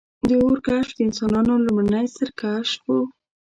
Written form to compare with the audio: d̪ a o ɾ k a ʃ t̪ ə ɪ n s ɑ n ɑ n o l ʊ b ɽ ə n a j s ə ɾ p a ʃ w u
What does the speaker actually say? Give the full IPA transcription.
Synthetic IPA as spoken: d̪ ə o ɾ k a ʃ d̪ ə ɪ n s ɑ n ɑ n o l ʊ m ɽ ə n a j s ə ɾ k a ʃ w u